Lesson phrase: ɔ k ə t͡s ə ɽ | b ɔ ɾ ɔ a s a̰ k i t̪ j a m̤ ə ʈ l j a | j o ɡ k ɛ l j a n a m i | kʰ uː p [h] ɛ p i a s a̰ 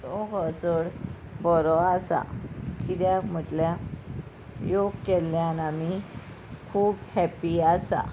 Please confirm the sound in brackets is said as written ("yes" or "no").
yes